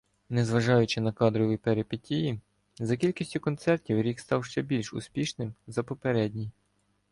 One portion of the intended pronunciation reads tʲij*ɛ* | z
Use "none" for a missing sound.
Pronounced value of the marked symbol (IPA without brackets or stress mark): i